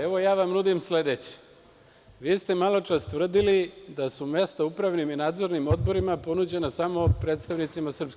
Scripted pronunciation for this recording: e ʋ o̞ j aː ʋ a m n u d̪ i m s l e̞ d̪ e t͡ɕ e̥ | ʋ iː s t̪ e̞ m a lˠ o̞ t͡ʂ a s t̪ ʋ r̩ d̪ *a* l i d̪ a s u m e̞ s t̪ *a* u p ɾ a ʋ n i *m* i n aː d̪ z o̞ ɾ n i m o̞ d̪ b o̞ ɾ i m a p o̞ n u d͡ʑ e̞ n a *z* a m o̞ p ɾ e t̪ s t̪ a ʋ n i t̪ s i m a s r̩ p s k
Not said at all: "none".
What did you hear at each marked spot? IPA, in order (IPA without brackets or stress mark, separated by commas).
i, a, m, s